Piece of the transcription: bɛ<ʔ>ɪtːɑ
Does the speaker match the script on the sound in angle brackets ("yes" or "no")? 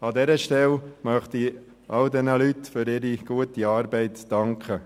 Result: no